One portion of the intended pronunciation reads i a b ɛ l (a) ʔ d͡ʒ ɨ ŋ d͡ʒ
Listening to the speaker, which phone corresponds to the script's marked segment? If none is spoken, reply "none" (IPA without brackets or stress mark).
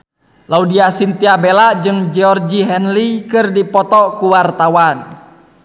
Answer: a